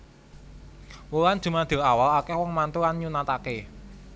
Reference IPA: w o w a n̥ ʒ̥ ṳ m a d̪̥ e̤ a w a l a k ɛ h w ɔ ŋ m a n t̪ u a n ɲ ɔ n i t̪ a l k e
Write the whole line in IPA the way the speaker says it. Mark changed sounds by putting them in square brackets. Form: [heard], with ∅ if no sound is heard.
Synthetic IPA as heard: w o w a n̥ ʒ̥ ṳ m a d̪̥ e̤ a w a l a k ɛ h w ɔ ŋ m a n t̪ u a n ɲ [u] n [a] t̪ a [∅] k e